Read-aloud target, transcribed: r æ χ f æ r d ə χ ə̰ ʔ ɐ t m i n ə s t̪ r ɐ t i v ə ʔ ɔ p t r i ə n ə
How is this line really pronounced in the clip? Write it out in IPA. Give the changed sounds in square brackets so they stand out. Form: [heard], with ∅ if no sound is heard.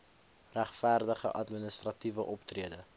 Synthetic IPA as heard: r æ χ f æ r d ə χ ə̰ ʔ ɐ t m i n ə s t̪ r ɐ t i v ə ʔ ɔ p t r i ə [d] ə